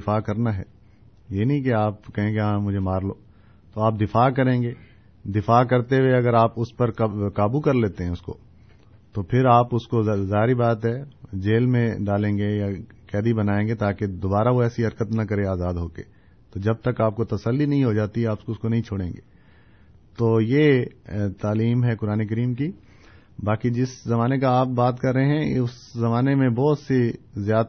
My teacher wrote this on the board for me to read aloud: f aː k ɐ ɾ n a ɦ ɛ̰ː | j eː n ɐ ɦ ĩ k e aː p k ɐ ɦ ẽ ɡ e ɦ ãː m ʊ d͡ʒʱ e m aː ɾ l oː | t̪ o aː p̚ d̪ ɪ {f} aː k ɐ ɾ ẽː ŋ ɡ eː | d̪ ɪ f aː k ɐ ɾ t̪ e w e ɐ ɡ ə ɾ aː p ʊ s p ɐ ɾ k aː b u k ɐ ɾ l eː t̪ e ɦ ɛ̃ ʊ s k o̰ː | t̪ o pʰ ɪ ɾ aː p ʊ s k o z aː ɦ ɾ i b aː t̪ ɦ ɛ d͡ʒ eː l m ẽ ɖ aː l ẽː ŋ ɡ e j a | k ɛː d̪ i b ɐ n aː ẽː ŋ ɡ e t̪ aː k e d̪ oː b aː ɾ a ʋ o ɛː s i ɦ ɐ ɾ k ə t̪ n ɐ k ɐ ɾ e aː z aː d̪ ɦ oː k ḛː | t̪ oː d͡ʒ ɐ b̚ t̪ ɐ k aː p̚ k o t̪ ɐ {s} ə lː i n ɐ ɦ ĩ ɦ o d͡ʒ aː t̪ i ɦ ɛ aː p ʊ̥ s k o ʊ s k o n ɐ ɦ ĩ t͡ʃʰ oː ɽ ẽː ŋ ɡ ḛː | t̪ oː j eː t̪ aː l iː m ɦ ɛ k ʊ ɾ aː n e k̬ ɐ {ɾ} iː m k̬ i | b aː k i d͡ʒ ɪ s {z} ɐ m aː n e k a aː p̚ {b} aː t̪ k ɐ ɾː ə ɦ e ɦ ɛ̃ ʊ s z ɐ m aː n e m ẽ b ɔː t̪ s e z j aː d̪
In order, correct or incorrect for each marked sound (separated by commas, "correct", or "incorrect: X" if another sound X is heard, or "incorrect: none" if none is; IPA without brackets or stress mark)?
correct, correct, correct, correct, correct